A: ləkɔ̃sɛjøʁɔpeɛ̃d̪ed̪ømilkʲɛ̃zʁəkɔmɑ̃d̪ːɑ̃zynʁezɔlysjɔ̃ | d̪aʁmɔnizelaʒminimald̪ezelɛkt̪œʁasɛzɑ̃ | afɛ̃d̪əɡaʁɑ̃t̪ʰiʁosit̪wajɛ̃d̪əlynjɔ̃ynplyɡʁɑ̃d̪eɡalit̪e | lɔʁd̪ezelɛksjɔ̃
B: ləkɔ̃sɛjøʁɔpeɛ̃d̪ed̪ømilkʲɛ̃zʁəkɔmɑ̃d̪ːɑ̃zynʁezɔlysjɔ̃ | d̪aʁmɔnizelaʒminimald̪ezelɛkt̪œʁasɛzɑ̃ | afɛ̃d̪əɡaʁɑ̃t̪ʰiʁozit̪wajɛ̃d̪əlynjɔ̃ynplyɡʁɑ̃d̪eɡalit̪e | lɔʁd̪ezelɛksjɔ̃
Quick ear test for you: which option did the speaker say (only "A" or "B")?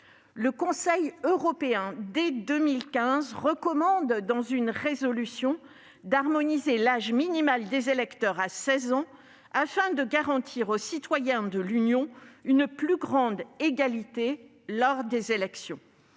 A